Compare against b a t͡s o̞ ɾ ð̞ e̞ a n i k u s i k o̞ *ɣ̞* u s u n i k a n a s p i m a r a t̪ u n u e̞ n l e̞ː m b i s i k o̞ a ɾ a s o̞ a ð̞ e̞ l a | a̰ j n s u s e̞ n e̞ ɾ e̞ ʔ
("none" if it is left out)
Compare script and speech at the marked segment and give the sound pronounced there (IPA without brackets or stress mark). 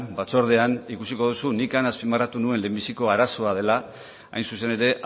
ð̞